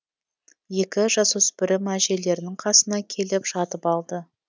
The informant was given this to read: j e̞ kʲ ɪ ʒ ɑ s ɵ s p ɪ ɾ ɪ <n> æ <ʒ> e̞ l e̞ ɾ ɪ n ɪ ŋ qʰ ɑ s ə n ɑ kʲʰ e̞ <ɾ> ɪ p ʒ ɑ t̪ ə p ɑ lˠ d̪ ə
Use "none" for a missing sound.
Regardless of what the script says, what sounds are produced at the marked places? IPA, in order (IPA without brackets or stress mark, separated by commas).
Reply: m, ʒ, l